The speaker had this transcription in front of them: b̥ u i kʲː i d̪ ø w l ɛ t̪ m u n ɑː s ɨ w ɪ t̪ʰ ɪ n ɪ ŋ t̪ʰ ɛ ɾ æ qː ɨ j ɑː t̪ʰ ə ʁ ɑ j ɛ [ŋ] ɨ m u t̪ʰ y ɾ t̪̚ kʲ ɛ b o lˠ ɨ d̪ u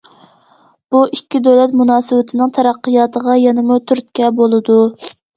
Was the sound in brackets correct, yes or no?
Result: no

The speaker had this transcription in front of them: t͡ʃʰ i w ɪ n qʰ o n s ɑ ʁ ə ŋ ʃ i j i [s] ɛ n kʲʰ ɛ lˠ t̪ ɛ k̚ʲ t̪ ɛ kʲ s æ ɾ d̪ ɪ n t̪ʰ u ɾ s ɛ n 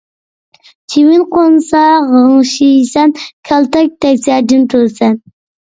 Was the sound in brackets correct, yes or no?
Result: yes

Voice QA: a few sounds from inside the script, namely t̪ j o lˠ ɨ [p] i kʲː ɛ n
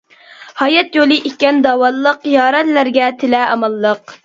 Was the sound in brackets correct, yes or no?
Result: no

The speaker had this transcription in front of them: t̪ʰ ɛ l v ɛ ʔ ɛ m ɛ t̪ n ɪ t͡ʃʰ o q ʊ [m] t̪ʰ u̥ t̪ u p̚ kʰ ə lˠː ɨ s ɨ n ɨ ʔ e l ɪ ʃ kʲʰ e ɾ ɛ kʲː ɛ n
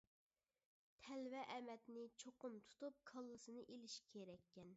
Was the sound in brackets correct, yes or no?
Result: yes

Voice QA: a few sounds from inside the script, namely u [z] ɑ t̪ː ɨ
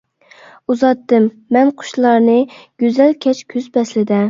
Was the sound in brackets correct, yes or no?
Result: yes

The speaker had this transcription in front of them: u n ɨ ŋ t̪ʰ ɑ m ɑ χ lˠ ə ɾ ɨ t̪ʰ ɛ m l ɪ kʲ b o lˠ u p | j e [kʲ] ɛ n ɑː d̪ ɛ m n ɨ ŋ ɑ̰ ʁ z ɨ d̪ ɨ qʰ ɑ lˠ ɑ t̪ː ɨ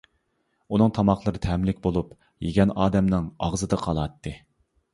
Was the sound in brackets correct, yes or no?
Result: no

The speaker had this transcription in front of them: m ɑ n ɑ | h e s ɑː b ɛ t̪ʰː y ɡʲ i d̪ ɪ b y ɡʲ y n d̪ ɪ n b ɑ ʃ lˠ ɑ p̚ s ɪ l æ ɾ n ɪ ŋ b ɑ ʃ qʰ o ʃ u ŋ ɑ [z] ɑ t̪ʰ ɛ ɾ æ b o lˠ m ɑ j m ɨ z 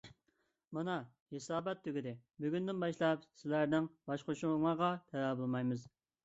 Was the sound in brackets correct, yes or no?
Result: no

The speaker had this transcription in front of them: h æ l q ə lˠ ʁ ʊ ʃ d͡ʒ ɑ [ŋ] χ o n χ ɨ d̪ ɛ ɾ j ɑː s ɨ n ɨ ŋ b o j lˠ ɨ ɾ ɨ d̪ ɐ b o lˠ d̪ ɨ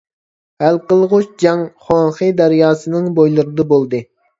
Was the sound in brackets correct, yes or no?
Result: yes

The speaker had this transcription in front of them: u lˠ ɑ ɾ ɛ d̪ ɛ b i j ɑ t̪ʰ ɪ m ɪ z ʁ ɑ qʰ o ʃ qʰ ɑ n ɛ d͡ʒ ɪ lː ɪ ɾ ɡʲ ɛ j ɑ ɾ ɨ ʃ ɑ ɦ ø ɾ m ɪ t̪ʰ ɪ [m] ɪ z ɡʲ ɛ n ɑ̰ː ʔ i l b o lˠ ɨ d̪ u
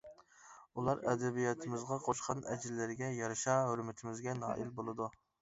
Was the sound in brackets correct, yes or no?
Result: yes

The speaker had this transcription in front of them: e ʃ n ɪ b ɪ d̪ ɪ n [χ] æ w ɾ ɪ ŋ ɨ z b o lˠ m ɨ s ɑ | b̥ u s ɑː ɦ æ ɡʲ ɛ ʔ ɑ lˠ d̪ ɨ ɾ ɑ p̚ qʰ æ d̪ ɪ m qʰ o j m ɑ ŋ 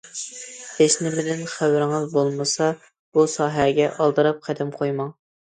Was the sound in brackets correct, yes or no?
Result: yes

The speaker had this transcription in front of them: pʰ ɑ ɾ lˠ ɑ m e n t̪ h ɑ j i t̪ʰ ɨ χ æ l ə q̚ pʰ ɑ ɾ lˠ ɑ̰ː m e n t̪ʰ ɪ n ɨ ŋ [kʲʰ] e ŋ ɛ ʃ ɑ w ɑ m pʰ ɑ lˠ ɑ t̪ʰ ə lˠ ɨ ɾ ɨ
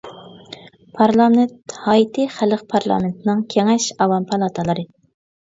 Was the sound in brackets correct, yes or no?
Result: yes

